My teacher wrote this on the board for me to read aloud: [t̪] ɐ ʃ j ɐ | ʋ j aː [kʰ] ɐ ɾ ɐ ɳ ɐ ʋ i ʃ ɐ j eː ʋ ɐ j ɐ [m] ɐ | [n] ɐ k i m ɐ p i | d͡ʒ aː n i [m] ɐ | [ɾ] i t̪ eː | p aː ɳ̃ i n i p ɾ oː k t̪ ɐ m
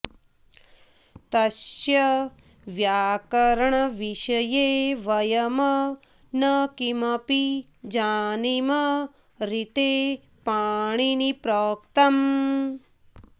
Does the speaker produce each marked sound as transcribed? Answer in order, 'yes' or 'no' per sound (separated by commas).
yes, no, yes, yes, yes, yes